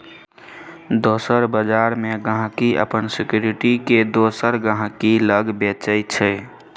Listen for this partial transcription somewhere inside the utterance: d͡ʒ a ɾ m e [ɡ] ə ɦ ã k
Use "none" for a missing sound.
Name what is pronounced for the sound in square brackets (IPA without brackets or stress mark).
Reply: ɡ